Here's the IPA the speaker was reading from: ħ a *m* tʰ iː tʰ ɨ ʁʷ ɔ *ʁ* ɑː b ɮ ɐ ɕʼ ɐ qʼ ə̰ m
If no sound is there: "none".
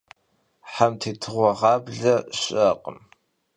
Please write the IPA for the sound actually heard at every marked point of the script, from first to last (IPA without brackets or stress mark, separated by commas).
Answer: m, ʁ